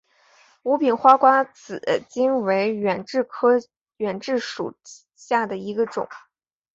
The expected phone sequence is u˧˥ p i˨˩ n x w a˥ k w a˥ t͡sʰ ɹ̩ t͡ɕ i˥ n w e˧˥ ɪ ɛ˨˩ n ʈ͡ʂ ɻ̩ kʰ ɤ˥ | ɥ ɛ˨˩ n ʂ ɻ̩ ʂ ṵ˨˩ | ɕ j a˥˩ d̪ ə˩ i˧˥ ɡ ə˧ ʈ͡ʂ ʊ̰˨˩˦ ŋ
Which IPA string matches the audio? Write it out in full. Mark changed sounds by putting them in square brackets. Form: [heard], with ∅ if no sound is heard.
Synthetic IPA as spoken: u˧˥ p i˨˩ n x w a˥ k w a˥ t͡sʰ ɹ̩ t͡ɕ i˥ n w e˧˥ ɪ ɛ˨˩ n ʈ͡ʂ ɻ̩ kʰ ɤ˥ | ɥ ɛ˨˩ n [ʈ͡ʂ] ɻ̩ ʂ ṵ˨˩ | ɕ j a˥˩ d̪ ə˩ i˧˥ ɡ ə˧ ʈ͡ʂ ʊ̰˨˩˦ ŋ